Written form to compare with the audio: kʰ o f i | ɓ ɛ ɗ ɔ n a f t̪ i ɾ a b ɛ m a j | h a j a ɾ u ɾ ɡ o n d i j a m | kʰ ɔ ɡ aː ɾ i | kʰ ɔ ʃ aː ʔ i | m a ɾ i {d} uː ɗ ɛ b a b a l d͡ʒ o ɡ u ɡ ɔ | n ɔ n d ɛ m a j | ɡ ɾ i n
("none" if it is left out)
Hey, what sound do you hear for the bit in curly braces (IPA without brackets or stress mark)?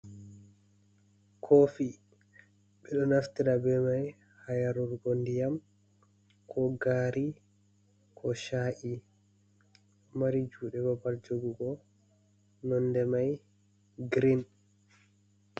d͡ʒ